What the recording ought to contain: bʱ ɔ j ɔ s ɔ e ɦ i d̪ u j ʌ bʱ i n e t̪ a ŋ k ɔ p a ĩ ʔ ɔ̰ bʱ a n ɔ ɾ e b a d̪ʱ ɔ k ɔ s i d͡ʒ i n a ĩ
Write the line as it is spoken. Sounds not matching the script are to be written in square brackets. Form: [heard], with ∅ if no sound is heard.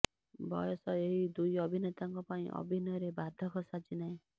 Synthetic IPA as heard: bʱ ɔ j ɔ s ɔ e ɦ i d̪ u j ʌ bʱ i n e t̪ a ŋ k ɔ p a ĩ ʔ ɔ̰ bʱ [i] n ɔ ɾ e b a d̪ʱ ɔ k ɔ s [a] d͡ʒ i n a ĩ